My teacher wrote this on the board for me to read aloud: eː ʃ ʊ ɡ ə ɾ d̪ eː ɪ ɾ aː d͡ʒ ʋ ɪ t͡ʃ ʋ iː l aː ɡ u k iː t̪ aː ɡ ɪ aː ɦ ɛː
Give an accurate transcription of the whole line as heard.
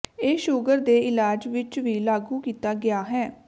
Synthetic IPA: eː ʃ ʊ ɡ ə ɾ d̪ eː ɪ l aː d͡ʒ ʋ ɪ t͡ʃ ʋ iː l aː ɡ uː k iː t̪ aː ɡ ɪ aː ɦ ɛː